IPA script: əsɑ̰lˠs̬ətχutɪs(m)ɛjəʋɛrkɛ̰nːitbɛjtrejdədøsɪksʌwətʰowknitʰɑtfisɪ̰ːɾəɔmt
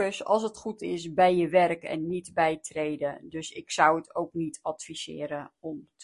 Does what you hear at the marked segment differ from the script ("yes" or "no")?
yes